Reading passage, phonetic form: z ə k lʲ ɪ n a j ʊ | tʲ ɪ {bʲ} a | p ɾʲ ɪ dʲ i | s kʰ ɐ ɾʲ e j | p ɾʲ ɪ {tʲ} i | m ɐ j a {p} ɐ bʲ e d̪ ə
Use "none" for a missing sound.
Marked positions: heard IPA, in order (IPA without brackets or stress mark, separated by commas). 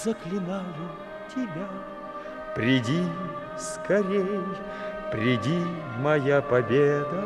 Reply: bʲ, dʲ, p